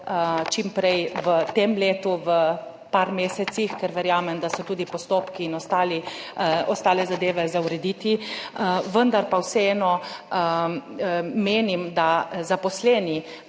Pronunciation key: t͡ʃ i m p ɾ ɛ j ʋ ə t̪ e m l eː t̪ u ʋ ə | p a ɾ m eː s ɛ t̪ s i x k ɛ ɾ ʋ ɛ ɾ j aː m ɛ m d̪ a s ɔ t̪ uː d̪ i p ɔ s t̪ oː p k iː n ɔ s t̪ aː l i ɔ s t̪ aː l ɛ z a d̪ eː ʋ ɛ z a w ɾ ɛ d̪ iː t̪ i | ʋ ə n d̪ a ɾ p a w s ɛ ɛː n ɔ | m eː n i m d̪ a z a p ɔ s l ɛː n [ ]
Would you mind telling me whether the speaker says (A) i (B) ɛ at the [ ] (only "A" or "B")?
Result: A